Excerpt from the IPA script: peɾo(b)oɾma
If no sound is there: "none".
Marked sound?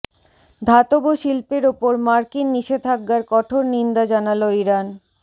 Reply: p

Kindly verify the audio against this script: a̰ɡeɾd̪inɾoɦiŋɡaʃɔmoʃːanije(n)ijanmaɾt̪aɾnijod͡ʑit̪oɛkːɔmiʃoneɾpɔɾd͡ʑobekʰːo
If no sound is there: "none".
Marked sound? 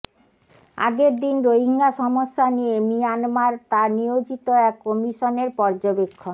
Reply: m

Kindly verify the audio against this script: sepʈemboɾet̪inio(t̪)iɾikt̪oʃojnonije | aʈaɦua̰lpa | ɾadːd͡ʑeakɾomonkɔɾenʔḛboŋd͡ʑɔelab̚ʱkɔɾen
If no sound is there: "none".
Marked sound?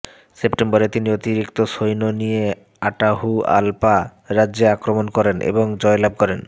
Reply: t̪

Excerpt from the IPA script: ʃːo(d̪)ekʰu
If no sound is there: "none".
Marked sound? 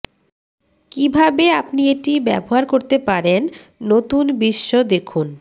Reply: d̪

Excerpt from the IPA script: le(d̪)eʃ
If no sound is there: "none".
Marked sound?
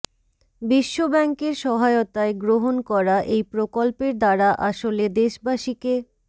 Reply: d̪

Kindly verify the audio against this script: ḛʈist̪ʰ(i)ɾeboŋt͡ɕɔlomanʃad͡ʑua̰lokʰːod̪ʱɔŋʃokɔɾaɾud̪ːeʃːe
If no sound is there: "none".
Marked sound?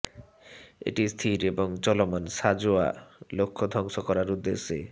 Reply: i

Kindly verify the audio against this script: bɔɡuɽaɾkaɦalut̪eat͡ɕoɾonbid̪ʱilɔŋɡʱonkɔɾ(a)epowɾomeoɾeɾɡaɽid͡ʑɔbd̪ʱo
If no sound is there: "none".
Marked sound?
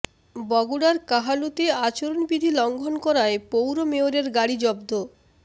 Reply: a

